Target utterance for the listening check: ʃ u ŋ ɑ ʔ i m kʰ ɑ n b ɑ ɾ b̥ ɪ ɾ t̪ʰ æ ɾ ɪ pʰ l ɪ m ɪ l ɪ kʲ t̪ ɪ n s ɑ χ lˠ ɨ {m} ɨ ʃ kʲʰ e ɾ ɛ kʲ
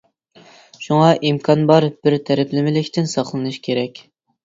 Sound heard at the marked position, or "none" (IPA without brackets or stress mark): n